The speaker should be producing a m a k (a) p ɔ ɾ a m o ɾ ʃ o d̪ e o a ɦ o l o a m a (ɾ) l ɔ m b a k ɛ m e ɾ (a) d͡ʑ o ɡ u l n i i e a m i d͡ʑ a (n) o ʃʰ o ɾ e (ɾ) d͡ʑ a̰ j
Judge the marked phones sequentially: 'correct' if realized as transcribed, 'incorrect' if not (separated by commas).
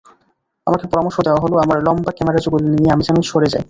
incorrect, correct, correct, correct, incorrect